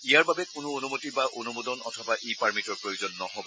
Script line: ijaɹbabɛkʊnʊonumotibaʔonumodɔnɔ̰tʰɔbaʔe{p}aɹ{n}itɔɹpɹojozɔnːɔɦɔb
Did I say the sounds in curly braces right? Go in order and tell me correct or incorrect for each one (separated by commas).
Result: correct, incorrect